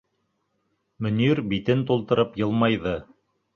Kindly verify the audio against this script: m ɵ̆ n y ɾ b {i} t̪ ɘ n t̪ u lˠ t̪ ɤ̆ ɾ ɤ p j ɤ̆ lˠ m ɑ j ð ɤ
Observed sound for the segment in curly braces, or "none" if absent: i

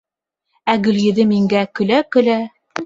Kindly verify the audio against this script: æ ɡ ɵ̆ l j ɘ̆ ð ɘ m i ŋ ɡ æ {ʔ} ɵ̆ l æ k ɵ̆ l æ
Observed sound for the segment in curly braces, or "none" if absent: k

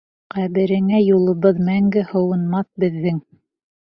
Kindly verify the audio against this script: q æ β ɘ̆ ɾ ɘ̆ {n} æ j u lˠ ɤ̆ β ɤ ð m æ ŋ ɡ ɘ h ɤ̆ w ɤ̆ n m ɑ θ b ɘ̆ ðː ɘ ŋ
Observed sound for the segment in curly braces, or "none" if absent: ŋ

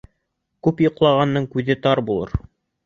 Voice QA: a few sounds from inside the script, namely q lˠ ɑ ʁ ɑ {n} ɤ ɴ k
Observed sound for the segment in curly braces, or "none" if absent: nː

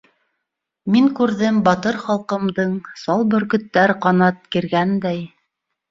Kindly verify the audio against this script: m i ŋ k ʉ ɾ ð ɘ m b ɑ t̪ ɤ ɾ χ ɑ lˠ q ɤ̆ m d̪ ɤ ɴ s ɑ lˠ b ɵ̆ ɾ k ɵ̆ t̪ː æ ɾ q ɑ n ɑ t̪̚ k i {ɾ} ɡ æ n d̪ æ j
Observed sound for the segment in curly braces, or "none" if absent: ɾ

